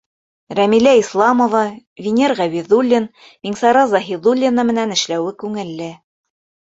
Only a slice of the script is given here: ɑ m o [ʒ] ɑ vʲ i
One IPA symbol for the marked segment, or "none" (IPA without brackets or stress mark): v